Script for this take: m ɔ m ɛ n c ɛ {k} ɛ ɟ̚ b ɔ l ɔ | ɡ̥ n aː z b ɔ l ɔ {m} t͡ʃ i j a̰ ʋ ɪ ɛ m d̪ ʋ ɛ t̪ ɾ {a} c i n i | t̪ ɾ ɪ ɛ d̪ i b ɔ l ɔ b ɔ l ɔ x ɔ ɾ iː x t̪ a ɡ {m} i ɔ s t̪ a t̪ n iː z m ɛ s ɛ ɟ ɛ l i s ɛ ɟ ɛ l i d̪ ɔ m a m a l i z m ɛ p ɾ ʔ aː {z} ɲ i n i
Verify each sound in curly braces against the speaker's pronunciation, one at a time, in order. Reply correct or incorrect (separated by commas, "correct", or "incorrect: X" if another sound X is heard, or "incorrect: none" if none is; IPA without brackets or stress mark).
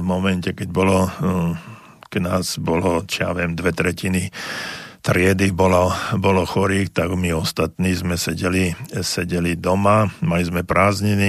correct, incorrect: none, incorrect: ɛ, correct, correct